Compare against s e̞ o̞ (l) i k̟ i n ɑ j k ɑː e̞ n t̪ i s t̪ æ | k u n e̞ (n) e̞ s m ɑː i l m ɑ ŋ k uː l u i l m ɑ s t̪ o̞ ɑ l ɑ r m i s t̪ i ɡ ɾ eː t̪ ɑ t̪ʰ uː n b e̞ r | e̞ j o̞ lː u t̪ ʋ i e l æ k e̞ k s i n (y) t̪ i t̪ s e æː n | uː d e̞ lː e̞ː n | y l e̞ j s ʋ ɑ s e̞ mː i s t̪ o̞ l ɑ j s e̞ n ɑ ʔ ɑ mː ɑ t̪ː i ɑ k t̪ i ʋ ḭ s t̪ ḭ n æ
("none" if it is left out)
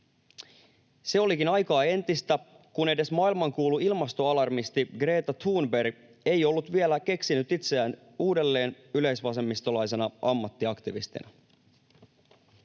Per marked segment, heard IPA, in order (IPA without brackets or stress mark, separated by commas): l, d, y